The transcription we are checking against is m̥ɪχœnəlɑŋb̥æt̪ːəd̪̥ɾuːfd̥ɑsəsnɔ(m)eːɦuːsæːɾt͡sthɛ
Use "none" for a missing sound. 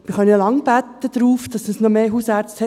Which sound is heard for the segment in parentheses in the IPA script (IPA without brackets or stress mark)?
m